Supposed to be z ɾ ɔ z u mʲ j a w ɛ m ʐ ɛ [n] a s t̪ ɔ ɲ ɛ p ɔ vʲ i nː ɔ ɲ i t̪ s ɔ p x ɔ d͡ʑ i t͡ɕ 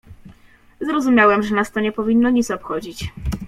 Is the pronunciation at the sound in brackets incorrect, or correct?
correct